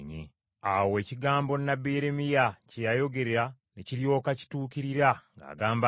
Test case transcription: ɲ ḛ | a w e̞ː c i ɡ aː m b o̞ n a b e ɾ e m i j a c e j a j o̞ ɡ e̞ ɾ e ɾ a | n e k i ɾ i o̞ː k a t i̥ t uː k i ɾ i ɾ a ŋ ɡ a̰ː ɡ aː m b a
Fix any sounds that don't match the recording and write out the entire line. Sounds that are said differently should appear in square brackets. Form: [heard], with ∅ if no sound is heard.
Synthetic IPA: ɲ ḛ | a w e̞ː c i ɡ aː m b o̞ n a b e ɾ e m i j a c e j a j o̞ ɡ e̞ ɾ e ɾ a | n e [c] i ɾ [j] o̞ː k a [c] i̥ t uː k i ɾ i ɾ a ŋ ɡ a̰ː ɡ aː m b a